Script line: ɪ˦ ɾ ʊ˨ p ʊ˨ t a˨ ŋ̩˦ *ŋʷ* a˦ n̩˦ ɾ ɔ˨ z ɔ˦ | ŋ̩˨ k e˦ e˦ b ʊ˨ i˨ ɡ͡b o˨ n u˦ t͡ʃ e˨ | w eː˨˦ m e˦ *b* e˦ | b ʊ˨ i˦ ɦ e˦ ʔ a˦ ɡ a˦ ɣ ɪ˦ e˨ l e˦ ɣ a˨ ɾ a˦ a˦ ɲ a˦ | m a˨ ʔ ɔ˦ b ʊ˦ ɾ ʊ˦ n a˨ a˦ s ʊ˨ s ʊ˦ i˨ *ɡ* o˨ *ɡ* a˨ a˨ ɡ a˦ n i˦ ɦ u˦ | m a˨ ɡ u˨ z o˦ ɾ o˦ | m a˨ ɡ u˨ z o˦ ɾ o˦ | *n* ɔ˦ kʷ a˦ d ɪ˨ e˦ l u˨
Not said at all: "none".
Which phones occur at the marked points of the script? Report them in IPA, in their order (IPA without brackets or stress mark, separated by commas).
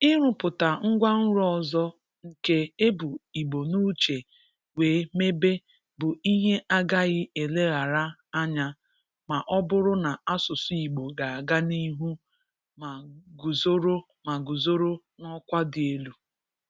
ɡʷ, b, ɡ͡b, ɡ, n